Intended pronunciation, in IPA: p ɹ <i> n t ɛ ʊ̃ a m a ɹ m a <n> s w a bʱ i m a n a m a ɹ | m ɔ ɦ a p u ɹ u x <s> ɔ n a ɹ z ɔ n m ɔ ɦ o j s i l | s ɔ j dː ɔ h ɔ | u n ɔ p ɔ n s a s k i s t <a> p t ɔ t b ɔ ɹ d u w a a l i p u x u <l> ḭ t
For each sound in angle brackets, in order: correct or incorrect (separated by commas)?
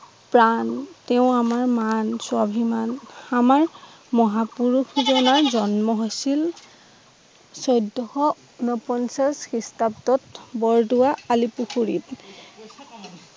incorrect, correct, incorrect, correct, incorrect